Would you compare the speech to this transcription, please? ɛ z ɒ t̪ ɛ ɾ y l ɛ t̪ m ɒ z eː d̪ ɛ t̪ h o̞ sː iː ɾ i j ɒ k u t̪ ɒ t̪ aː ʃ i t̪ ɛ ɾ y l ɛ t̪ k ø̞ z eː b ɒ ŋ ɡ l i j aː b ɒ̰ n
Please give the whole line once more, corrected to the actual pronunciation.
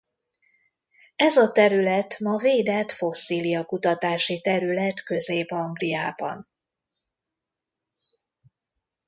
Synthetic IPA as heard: ɛ z ɒ t̪ ɛ ɾ y l ɛ t̪ m ɒ v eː d̪ ɛ t̪ f o̞ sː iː l i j ɒ k u t̪ ɒ t̪ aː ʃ i t̪ ɛ ɾ y l ɛ t̪ k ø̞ z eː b ɒ ŋ ɡ l i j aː b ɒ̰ n